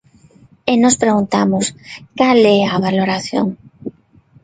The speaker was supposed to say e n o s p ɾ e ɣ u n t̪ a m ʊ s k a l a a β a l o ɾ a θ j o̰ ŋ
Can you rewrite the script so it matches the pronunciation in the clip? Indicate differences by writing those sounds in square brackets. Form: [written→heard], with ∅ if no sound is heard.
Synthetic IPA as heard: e n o s p ɾ e ɣ u n t̪ a m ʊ s k a l [a→ɛ] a β a l o ɾ a θ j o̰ ŋ